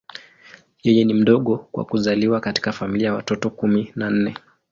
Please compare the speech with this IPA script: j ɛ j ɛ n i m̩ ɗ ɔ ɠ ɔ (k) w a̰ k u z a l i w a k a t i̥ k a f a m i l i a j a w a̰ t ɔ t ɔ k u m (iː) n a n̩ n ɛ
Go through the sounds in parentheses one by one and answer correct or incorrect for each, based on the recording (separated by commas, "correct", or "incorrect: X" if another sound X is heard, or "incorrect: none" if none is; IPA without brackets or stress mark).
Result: correct, incorrect: i